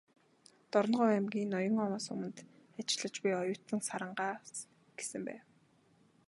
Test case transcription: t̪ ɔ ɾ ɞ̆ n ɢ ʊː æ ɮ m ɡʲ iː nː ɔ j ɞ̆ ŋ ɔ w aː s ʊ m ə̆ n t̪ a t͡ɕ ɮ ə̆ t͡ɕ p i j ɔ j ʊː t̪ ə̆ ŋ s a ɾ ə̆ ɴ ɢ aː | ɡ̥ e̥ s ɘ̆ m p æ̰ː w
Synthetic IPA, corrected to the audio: t̪ ɔ ɾ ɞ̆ n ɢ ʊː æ m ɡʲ iː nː ɔ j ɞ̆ ŋ ɔ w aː s ʊ m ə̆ n t̪ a t͡ɕ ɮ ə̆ t͡ɕ p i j ɔ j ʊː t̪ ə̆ ŋ s a ɾ ə̆ ɴ ɢ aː | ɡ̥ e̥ s ɘ̆ m p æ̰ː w